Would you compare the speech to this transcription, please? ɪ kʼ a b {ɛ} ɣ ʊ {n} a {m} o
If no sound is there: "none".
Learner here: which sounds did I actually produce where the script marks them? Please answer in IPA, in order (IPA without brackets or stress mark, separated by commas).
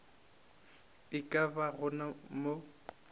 a, n, m